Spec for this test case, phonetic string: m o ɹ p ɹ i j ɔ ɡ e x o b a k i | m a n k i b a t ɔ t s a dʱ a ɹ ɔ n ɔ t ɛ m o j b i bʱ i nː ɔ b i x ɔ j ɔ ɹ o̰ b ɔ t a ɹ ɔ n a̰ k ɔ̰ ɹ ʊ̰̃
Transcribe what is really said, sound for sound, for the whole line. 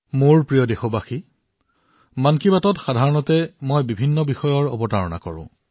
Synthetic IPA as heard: m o ɹ p ɹ i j ɔ d e x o b a x i | m a n k i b a t ɔ t x a dʱ a ɹ ɔ n ɔ t ɛ m o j b i bʱ i nː ɔ b i x ɔ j ɔ ɹ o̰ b ɔ t a ɹ ɔ n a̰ k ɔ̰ ɹ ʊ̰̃